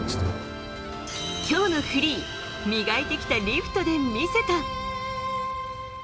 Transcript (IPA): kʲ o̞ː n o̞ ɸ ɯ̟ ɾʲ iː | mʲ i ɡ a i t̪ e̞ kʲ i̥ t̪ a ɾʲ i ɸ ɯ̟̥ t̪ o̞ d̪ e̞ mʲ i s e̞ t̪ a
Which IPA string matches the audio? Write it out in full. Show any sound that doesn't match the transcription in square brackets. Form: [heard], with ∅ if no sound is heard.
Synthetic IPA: kʲ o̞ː n o̞ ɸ ɯ̟ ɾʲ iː | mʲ i ɡ a i t̪ e̞ kʲ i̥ t̪ a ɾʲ i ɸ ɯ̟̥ t̪ o̞ d̪ e̞ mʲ i s e̞ t̪ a